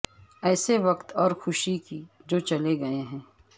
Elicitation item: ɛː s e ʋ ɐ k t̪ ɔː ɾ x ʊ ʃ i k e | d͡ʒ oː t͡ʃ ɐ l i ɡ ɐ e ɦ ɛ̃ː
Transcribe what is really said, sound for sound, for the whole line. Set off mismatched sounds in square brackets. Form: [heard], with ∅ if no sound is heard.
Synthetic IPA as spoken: ɛː s e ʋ ɐ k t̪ ɔː ɾ x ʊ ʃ i k [i] | d͡ʒ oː t͡ʃ ɐ l [e] ɡ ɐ e ɦ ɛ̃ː